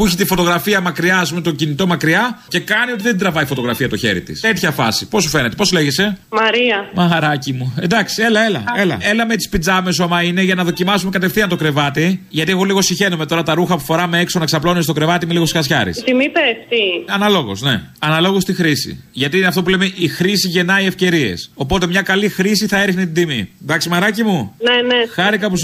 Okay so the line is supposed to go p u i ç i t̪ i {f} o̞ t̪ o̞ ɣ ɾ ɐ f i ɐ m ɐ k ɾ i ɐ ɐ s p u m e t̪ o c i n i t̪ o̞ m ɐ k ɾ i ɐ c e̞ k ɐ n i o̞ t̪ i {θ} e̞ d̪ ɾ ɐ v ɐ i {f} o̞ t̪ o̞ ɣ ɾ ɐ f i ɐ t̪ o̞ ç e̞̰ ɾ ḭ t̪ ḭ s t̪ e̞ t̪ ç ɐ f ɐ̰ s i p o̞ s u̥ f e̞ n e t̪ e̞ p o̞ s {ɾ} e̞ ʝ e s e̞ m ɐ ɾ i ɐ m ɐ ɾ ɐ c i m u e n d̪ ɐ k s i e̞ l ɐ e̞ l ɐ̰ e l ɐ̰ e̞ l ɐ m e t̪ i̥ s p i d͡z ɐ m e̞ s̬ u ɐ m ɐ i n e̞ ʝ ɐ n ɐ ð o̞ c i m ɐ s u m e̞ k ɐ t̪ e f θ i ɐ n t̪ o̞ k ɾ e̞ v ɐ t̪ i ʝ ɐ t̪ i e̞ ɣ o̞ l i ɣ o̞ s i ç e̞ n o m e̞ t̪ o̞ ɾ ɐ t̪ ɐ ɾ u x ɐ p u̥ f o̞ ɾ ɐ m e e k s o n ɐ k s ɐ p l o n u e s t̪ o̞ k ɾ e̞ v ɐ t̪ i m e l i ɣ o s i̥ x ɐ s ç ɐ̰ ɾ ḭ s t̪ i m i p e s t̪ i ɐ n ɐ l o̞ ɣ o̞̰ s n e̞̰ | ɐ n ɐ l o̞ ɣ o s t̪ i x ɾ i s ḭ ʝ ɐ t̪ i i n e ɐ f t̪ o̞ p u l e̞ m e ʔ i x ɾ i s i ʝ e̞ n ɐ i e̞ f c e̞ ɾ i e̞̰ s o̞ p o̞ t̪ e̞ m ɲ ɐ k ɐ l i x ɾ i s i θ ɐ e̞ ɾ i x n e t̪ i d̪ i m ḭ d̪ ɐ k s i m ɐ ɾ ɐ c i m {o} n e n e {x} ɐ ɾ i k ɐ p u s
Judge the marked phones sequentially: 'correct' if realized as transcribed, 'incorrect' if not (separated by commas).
correct, incorrect, correct, incorrect, incorrect, correct